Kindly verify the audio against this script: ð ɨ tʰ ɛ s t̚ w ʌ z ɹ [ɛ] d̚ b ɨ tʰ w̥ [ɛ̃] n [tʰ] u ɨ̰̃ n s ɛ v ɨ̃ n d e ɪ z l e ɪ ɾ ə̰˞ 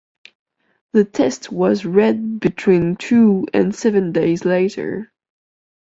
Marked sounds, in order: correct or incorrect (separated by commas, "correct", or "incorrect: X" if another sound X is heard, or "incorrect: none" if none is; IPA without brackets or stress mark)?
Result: correct, incorrect: ĩ, correct